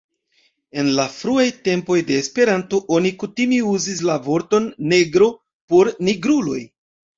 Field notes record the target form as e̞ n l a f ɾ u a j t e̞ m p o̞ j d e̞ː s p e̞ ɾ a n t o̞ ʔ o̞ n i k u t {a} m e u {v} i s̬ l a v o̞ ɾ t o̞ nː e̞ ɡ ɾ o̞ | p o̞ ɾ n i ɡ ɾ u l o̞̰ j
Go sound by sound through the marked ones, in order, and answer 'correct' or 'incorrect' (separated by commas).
incorrect, incorrect